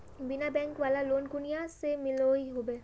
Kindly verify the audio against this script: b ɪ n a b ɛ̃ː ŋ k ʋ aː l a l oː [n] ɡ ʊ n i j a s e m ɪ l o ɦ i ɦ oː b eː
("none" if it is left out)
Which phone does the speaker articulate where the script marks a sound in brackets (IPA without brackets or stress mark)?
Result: n